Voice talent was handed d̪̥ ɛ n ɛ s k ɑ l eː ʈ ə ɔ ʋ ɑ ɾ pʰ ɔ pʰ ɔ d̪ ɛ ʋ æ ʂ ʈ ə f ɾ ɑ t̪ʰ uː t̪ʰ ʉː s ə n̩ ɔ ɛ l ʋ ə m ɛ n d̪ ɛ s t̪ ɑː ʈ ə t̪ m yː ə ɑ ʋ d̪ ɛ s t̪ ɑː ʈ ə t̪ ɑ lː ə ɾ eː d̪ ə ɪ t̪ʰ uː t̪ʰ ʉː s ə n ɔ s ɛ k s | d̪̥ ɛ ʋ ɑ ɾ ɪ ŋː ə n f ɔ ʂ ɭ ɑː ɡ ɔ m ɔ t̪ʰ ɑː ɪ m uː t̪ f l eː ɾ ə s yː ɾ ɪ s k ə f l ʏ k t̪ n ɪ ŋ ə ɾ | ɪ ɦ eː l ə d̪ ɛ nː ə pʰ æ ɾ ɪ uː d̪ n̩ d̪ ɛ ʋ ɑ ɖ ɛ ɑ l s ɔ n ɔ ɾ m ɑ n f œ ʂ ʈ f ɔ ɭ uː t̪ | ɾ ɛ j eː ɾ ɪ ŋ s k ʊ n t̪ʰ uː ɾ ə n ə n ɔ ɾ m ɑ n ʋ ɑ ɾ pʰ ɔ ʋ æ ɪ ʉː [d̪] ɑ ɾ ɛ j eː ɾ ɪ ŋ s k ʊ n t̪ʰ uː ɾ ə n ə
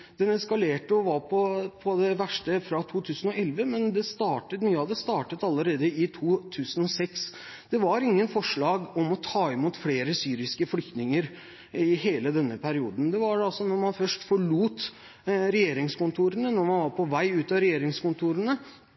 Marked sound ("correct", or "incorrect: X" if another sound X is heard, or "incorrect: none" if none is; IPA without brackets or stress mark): incorrect: t̪